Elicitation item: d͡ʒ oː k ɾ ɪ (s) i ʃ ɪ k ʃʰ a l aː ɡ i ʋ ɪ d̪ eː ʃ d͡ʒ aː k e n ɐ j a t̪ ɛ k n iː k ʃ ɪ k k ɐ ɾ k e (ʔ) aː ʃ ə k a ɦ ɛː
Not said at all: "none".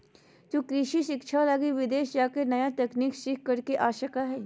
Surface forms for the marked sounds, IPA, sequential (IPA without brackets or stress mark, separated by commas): ʃ, ʔ